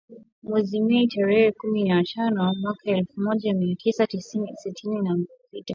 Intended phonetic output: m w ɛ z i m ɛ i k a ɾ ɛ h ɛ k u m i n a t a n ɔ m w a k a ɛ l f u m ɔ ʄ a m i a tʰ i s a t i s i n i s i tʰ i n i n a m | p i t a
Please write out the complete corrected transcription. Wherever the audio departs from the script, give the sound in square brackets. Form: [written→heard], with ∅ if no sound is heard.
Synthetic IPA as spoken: m w ɛ z i m ɛ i [k→t] a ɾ ɛ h ɛ k u m i n a t a n ɔ m w a k a ɛ l f u m ɔ ʄ a m i a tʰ i s a t i s i n i s i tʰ i n i n a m | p i t a